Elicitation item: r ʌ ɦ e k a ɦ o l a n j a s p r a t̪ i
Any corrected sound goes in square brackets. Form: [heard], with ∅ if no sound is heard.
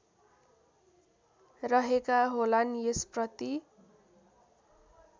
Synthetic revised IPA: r ʌ ɦ e k a ɦ o l a n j [e] s p r [ʌ] t̪ i